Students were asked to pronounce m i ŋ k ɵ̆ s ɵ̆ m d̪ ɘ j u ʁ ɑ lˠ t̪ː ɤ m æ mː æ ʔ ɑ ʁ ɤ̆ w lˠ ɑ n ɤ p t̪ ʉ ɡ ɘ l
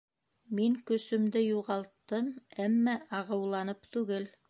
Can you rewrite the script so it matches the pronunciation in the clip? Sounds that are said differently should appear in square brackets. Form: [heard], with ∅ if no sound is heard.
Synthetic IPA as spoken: m i ŋ k ɵ̆ s ɵ̆ m d̪ ɘ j u ʁ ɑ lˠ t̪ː ɤ m æ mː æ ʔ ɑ ʁ ɤ̆ w lˠ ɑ n ɤ p t̪ ʉ ɡ ɘ l

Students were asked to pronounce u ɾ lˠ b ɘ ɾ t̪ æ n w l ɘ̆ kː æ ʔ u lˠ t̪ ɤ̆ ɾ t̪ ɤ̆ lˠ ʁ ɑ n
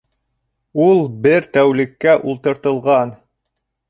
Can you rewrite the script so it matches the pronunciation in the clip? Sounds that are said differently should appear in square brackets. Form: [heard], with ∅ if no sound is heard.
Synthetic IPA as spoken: u [∅] lˠ b ɘ ɾ t̪ æ [∅] w l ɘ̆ kː æ ʔ u lˠ t̪ ɤ̆ ɾ t̪ ɤ̆ lˠ ʁ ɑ n

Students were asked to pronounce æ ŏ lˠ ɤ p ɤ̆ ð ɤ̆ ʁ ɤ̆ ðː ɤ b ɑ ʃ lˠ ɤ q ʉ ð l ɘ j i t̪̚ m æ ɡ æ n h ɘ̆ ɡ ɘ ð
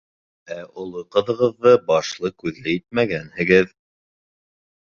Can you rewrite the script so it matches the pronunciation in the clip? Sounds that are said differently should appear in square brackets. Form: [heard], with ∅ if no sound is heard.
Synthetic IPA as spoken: æ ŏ lˠ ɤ [q] ɤ̆ ð ɤ̆ ʁ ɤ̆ ðː ɤ b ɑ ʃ lˠ ɤ [k] ʉ ð l ɘ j i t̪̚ m æ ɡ æ n h ɘ̆ ɡ ɘ ð

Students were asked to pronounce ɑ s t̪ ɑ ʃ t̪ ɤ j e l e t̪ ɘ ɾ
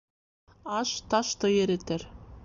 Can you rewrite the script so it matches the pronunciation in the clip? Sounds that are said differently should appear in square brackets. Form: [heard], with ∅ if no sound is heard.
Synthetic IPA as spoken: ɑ [ʃ] t̪ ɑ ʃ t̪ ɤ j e [ɾ] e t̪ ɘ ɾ

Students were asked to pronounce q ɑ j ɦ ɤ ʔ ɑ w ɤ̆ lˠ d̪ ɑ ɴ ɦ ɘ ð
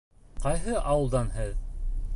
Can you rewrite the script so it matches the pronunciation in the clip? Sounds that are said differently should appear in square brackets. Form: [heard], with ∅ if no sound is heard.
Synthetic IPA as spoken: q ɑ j ɦ ɤ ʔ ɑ w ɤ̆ lˠ d̪ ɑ [n] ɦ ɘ ð

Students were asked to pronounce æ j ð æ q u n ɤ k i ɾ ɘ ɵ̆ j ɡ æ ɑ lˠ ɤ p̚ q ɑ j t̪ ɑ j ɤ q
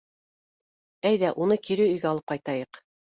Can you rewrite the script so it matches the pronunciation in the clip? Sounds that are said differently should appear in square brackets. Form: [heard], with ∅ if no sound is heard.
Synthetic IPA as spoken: æ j ð æ [ʔ] u n ɤ k i ɾ ɘ ɵ̆ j ɡ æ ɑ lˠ ɤ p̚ q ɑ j t̪ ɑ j ɤ q

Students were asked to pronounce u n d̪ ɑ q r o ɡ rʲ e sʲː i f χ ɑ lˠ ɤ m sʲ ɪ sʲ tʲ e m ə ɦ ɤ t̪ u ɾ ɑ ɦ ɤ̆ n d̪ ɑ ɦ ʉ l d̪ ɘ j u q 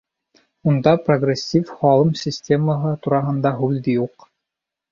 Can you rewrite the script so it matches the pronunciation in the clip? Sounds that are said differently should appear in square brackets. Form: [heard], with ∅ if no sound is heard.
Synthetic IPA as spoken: u n d̪ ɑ [p] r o ɡ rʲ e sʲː i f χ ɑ lˠ ɤ m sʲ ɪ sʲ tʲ e m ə ɦ ɤ t̪ u ɾ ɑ ɦ ɤ̆ n d̪ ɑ ɦ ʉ l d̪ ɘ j u q

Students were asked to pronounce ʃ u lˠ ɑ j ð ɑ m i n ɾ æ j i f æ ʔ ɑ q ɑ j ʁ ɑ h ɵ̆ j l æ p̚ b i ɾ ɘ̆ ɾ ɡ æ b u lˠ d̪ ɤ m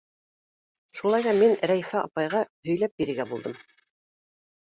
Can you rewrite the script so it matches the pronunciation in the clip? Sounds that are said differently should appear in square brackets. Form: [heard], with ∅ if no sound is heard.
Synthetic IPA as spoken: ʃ u lˠ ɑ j ð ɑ m i n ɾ æ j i f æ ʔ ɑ [p] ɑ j ʁ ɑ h ɵ̆ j l æ p̚ b i ɾ ɘ̆ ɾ ɡ æ b u lˠ d̪ ɤ m

